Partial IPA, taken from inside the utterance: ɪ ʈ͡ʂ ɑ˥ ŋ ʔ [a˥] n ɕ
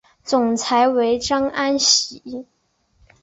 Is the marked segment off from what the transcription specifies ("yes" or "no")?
no